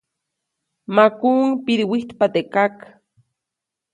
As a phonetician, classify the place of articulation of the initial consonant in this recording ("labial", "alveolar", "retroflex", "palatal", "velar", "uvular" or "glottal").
labial